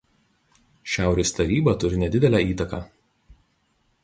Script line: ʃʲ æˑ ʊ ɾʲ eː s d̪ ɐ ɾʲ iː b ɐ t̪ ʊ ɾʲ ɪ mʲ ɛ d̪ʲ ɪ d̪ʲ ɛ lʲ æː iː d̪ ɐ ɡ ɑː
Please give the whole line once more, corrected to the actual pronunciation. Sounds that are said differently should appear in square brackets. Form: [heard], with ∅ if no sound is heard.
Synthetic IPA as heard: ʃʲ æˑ ʊ ɾʲ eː s [t̪] ɐ ɾʲ iː b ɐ t̪ ʊ ɾʲ ɪ [nʲ] ɛ d̪ʲ ɪ d̪ʲ ɛ lʲ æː iː [t̪] ɐ [k] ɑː